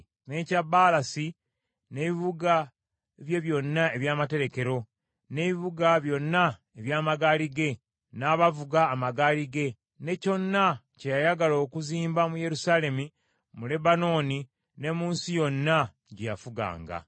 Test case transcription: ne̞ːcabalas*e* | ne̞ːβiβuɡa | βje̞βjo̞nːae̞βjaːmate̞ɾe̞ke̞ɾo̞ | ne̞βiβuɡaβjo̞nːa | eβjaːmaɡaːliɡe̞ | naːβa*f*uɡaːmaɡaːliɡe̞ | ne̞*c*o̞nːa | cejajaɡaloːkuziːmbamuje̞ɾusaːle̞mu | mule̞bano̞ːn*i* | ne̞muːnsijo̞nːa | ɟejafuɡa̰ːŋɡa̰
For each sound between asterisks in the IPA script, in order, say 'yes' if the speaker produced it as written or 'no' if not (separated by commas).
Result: no, no, yes, yes